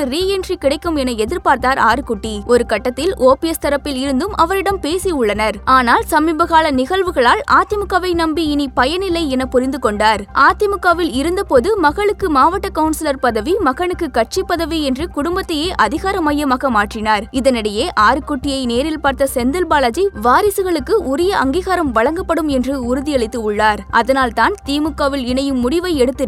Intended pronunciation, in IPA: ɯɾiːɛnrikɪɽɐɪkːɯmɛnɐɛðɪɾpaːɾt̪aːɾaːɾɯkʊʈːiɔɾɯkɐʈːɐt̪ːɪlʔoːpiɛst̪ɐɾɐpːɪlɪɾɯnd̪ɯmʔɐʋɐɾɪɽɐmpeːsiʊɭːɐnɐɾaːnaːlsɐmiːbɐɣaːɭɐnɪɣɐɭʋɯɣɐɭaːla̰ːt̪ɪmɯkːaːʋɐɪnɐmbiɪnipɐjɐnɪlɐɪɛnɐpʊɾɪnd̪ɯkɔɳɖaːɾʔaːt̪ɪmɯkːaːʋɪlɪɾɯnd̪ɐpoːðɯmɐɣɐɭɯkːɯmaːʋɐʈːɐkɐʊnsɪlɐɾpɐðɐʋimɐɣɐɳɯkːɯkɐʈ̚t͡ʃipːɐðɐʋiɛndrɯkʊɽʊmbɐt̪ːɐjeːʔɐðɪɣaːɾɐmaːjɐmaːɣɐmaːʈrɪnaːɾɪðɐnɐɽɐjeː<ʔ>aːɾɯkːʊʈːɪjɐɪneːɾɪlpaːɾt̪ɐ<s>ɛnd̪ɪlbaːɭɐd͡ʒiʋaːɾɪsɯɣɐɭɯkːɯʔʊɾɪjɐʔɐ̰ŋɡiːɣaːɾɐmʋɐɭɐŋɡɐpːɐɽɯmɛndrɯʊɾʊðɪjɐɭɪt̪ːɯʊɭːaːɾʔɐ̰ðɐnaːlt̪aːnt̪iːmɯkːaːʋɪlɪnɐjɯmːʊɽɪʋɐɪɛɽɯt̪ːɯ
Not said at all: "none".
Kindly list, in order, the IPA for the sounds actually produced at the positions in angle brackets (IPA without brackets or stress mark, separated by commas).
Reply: ʔ, s